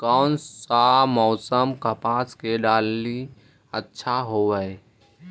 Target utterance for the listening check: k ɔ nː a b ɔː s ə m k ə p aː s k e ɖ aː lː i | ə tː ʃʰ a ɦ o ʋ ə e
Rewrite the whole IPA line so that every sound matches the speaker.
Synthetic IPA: k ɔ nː a m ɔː s ə m k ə p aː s k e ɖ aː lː i | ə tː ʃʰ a ɦ o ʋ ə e